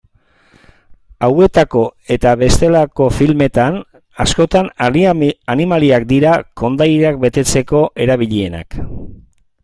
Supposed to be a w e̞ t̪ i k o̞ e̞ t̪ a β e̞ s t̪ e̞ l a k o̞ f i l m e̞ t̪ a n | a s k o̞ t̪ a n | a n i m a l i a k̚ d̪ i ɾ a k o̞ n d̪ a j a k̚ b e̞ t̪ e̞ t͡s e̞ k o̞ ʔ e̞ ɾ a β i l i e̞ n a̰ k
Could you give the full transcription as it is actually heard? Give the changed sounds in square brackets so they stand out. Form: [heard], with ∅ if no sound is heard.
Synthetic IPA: a w e̞ t̪ [a] k o̞ e̞ t̪ a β e̞ s t̪ e̞ l a k o̞ f i l m e̞ t̪ a n | a s k o̞ t̪ a n | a n i m a l i a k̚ d̪ i ɾ a k o̞ n d̪ a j a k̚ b e̞ t̪ e̞ t͡s e̞ k o̞ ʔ e̞ ɾ a β i [ʎ] i e̞ n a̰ k